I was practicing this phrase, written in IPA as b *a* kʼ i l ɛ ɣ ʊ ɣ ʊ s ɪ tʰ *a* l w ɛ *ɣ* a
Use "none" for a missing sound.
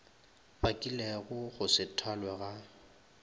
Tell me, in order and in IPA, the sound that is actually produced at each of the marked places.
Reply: a, a, ɣ

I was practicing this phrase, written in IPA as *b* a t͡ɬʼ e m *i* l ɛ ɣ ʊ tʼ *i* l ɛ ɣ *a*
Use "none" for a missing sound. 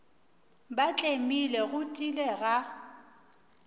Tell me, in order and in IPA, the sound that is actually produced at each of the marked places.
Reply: b, i, i, a

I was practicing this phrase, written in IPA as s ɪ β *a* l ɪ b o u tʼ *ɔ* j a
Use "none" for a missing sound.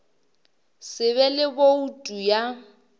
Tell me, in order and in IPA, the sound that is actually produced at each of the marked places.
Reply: ɛ, u

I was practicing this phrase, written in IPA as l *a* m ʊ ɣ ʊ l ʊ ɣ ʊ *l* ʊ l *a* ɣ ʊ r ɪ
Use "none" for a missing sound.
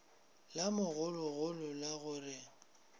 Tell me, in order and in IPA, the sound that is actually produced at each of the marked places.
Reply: a, l, a

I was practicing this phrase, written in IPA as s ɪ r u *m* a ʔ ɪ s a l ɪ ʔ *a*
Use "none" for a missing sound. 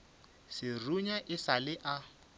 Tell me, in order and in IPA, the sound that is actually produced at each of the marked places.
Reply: ɲ, a

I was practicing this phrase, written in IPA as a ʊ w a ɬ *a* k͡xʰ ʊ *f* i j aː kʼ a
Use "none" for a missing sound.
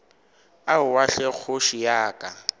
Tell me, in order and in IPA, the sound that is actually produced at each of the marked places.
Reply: ɛ, ʃ

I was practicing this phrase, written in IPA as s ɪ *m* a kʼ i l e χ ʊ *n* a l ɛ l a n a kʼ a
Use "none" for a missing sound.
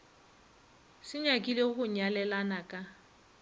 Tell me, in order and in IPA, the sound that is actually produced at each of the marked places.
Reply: ɲ, ɲ

